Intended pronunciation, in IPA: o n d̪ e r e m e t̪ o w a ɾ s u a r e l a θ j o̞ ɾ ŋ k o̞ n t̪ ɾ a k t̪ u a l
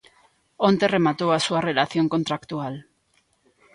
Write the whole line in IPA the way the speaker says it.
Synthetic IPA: o n t̪ e r e m a t̪ o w a s u a r e l a θ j o̞ ŋ k o̞ n t̪ ɾ a k t̪ u a l